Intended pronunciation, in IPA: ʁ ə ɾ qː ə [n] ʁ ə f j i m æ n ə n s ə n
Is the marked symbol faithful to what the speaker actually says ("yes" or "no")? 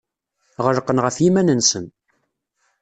yes